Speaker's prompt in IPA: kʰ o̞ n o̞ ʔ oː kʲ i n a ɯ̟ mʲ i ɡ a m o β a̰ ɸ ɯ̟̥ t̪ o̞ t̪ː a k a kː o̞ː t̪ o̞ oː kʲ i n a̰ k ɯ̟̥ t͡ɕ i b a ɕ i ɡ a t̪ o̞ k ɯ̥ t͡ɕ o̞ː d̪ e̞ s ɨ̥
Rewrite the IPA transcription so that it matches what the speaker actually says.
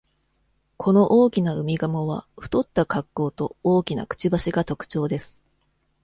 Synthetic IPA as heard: kʰ o̞ n o̞ ʔ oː kʲ i n a ɯ̟ mʲ i ɡ a m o β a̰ ɸ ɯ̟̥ t̪ o̞ t̪ː a k a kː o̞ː t̪ o̞ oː kʲ i n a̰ k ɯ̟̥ t͡ɕ i b a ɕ i ɡ a t̪ o̞ k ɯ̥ t͡ɕ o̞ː d̪ e̞ s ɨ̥